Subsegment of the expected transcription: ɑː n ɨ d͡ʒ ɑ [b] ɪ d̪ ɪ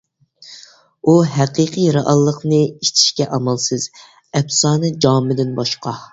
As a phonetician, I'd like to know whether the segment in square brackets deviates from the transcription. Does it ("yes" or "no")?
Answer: yes